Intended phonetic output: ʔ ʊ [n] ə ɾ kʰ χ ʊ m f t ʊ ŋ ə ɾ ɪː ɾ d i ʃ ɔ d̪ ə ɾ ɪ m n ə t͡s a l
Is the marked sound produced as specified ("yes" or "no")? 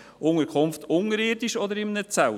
no